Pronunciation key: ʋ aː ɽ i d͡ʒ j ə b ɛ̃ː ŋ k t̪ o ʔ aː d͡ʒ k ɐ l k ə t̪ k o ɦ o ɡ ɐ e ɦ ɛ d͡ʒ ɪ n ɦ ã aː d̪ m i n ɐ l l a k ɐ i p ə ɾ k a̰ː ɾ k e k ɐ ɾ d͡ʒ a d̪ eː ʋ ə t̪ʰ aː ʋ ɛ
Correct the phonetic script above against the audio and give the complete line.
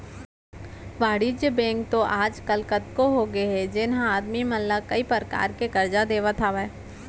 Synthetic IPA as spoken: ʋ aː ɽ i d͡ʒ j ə b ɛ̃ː ŋ k t̪ o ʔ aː d͡ʒ k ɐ l k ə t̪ k o ɦ o ɡ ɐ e ɦ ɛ d͡ʒ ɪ n ɦ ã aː d̪ m i m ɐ l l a k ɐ i p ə ɾ k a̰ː ɾ k e k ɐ ɾ d͡ʒ a d̪ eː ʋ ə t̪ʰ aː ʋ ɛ